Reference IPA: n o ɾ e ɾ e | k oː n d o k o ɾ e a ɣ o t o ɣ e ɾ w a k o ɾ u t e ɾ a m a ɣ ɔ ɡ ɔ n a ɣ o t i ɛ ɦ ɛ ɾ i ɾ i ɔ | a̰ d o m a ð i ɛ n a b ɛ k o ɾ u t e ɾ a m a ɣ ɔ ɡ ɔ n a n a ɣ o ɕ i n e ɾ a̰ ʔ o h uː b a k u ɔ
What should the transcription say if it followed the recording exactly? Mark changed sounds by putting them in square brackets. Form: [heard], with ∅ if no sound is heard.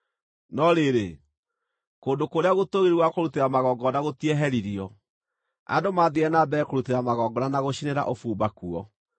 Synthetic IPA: n [ɔ] ɾ e ɾ e | k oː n d o k o ɾ e a ɣ o t o ɣ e ɾ w a k o ɾ u t e ɾ a m a ɣ ɔ ɡ ɔ n a ɣ o t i ɛ ɦ ɛ ɾ i ɾ i ɔ | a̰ d o m a ð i ɛ n a b ɛ k o ɾ u t e ɾ a m a ɣ ɔ ɡ ɔ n a n a ɣ o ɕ i n e ɾ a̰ ʔ o [f] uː b a k u ɔ